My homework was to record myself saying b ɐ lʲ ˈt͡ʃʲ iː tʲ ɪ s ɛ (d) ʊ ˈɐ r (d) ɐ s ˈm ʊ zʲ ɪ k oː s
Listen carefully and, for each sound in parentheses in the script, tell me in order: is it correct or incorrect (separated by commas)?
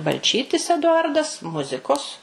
correct, correct